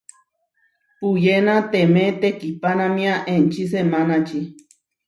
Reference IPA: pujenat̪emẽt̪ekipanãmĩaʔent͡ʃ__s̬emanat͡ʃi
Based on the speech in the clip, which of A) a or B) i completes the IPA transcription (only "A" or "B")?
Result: B